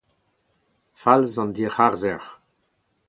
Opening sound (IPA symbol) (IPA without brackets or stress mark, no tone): f